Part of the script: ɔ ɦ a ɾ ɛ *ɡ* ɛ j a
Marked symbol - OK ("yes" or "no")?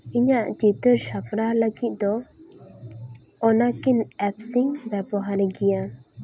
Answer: yes